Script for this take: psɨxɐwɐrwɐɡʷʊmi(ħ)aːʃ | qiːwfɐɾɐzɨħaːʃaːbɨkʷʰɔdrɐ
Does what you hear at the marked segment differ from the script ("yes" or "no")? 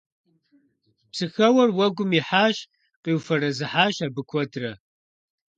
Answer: no